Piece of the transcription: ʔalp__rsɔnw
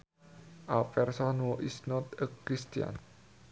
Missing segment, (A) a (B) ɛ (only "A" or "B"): B